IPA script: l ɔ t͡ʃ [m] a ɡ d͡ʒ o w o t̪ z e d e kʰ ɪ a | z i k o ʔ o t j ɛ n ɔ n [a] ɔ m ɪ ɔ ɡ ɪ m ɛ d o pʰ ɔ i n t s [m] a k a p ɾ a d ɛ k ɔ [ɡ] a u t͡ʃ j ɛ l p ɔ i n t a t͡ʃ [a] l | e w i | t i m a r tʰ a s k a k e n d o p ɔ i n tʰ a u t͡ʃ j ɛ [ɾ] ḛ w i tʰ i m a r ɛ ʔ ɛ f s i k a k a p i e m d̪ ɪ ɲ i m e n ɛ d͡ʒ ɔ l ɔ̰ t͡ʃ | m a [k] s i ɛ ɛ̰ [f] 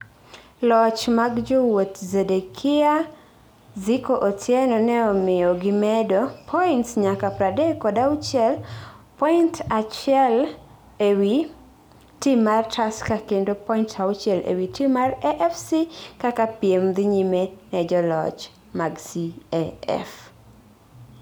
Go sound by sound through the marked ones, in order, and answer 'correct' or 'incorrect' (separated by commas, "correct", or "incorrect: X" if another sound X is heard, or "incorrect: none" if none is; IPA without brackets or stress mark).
correct, incorrect: ɛ, incorrect: ɲ, incorrect: d, incorrect: ɛ, incorrect: l, incorrect: ɡ, correct